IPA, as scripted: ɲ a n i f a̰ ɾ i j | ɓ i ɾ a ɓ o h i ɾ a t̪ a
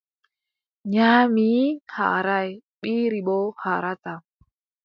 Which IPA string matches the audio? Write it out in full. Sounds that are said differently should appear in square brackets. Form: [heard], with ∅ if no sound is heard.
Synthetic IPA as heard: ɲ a [m] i [h] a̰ ɾ [a] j | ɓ i ɾ [i] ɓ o h [a] ɾ a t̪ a